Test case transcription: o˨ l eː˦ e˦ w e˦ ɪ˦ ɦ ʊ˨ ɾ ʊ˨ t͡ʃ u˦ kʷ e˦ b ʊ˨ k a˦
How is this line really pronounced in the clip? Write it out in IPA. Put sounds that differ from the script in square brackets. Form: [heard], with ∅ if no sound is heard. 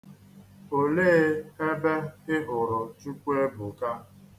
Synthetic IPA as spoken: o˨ l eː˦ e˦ [b] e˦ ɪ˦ ɦ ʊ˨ ɾ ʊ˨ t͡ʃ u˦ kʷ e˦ b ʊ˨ k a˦